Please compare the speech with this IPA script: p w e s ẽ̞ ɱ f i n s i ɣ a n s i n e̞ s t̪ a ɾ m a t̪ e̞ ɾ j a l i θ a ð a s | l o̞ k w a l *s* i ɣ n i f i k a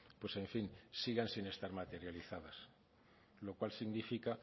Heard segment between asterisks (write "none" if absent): s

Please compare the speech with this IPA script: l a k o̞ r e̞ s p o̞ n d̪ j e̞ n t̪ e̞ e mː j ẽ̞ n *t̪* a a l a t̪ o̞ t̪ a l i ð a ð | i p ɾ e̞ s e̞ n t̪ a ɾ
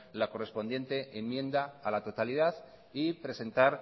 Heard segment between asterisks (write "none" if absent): d̪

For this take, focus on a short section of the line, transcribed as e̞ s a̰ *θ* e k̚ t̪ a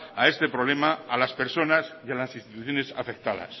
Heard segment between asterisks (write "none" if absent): f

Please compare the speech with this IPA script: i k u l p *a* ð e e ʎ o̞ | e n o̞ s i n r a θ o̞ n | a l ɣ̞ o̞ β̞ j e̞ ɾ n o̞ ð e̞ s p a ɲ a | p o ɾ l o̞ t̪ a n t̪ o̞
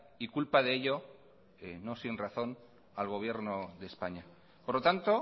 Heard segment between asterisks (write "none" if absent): a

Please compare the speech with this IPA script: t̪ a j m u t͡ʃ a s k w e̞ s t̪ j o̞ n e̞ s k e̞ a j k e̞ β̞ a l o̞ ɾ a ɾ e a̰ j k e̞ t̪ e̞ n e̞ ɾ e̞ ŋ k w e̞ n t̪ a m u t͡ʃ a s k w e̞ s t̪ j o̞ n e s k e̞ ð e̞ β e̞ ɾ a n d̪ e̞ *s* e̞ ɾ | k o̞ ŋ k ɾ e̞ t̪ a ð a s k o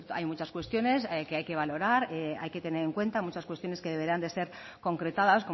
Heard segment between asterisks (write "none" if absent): s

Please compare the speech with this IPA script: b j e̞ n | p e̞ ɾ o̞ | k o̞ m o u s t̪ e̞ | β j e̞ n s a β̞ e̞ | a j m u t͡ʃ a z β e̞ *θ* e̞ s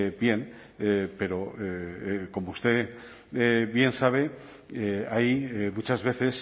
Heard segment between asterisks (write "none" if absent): θ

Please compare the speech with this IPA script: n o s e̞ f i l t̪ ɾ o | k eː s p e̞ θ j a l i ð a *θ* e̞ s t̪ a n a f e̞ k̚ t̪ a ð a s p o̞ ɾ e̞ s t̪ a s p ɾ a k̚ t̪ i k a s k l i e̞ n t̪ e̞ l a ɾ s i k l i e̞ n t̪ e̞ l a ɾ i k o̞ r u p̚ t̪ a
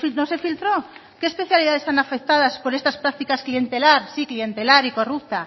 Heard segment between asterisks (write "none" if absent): ð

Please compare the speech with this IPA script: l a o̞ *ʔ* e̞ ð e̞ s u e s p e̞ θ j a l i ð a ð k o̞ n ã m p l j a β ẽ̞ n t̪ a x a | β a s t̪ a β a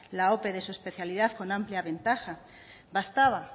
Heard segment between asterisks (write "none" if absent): p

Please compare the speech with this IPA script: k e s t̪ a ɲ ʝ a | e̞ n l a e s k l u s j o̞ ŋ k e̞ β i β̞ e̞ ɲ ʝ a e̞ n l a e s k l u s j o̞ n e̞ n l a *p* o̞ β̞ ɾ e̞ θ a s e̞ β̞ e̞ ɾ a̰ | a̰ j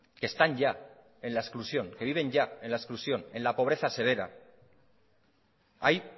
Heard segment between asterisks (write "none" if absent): p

